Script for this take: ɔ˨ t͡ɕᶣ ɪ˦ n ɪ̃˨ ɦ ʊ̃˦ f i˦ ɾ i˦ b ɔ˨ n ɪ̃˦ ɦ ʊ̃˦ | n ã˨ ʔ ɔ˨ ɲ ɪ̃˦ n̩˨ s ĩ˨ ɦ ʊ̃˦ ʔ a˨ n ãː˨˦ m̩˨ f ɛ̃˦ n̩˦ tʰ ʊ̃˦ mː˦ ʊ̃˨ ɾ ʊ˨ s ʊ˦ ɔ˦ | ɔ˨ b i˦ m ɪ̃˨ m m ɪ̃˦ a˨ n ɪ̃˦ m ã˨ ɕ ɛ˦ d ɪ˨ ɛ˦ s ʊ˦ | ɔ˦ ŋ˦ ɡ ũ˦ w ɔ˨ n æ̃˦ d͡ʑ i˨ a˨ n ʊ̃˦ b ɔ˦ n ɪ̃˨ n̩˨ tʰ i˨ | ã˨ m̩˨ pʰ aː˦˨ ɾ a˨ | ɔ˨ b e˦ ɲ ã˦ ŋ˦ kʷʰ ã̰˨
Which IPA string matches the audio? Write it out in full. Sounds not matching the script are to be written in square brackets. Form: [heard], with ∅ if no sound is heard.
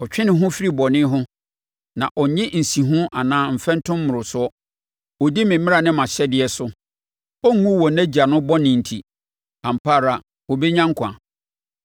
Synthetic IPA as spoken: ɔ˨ t͡ɕᶣ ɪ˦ n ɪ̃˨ ɦ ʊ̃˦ f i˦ ɾ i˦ b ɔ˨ n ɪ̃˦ ɦ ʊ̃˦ | n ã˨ ʔ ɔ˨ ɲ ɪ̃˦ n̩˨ s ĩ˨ ɦ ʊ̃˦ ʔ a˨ n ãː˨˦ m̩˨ f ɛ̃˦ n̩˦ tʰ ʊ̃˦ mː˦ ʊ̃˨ ɾ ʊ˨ s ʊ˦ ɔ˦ | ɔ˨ [d] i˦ m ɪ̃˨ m m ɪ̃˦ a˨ n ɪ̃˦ m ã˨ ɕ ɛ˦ d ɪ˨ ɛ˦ s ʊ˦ | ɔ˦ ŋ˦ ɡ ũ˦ w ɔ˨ n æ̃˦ d͡ʑ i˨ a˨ n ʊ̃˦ b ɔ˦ n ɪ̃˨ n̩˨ tʰ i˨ | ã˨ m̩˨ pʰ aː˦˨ ɾ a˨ | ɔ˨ b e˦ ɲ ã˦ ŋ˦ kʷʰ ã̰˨

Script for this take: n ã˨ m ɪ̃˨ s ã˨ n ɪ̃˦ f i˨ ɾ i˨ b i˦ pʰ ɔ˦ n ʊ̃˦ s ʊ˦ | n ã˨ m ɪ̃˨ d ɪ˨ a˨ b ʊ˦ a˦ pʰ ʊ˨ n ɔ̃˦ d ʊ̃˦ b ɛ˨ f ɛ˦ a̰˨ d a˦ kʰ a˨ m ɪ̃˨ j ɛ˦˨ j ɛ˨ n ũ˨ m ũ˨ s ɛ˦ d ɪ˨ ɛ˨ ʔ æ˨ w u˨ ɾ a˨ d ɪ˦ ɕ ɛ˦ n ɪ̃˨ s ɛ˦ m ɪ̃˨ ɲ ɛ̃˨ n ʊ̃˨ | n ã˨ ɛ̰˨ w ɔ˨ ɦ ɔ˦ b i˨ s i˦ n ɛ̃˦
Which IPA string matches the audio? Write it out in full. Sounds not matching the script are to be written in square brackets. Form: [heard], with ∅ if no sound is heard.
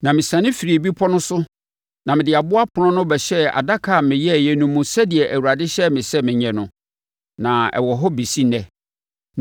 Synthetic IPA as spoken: n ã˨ m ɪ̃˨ s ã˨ n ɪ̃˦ f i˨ ɾ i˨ b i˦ pʰ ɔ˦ n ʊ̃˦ s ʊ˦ | n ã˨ m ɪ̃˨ d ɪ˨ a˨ b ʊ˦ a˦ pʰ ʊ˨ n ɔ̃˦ [n] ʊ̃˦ b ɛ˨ [ɕ] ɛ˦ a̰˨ d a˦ kʰ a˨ m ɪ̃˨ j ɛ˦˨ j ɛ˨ n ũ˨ m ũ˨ s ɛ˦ d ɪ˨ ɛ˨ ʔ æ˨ w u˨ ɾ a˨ d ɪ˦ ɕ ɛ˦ [m] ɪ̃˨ s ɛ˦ m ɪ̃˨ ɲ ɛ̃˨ n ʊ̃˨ | n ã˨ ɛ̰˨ w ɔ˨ ɦ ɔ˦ b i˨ s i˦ n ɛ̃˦

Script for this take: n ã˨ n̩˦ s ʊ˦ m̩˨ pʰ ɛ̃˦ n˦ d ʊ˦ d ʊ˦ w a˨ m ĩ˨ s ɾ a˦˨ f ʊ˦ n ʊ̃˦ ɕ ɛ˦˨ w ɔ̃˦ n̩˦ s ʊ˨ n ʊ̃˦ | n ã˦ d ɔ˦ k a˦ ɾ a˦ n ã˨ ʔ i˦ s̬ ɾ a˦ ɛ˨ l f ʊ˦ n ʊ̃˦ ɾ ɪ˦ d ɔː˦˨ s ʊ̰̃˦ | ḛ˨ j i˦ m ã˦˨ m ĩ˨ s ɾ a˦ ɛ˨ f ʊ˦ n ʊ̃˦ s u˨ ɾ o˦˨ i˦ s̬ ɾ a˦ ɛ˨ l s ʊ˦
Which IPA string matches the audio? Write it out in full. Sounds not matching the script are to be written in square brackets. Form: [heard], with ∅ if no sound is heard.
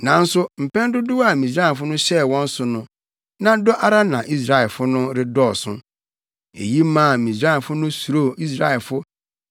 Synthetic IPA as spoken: n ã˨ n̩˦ s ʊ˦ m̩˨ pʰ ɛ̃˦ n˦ d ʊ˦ d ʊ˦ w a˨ m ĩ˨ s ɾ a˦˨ f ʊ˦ n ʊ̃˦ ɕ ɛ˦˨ w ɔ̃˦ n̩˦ s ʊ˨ n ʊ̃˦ | n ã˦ d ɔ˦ [ʔ] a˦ ɾ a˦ n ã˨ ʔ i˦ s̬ ɾ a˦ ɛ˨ l f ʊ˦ n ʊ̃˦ ɾ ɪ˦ d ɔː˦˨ s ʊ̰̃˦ | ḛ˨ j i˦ m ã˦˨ m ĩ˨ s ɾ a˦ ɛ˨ f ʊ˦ n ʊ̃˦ s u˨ ɾ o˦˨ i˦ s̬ ɾ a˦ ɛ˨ l [f] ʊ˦

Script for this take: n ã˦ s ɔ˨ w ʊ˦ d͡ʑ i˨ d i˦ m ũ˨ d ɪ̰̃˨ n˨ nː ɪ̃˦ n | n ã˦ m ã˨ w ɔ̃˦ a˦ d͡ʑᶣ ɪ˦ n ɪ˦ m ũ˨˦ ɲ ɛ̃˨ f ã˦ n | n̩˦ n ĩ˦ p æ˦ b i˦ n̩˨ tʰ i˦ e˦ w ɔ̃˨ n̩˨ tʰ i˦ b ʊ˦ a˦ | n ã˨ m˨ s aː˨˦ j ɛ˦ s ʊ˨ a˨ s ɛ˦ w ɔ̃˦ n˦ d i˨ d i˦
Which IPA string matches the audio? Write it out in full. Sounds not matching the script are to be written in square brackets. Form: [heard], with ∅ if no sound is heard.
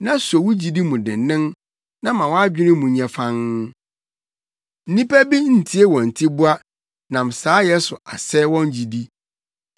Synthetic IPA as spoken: n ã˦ s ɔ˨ w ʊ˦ d͡ʑ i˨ d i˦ m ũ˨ d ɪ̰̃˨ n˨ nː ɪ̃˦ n | n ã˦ m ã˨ w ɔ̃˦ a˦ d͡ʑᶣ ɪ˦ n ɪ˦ m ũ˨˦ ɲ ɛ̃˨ f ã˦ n | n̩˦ n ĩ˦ p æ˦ b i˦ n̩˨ tʰ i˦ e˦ w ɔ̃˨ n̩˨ tʰ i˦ b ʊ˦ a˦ | n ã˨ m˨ s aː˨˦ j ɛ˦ s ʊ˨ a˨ s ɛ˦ w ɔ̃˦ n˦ [d͡ʑ] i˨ d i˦

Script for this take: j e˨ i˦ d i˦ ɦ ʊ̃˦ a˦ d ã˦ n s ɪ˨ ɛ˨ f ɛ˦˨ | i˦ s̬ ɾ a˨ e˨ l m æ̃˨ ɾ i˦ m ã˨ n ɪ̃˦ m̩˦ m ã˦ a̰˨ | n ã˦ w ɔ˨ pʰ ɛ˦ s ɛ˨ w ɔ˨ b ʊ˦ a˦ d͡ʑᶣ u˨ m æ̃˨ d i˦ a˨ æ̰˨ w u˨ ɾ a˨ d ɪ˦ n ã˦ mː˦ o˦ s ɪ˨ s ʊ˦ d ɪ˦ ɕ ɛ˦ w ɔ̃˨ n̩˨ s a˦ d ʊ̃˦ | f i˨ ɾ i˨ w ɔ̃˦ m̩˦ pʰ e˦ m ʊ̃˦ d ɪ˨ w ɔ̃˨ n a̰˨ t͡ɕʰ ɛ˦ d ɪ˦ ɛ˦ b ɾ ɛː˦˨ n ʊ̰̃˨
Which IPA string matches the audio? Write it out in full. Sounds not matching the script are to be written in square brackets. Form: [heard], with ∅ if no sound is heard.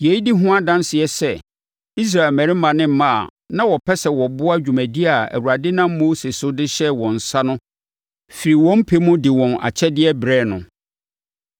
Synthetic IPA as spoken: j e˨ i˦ d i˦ ɦ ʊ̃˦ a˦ d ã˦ n s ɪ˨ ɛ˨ [s] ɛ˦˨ | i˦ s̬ ɾ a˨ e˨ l m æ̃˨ ɾ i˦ m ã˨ n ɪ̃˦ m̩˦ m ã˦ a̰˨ | n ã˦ w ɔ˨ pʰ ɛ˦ s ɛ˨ w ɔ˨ b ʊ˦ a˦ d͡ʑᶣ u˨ m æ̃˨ d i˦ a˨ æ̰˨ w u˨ ɾ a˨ d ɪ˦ n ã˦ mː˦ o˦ s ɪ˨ s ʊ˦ d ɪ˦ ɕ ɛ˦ w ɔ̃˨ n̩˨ s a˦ [n] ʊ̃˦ | f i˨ ɾ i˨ w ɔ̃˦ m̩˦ pʰ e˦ m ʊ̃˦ d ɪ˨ w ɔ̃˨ n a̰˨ t͡ɕʰ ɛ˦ d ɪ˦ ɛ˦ b ɾ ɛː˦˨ n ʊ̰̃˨

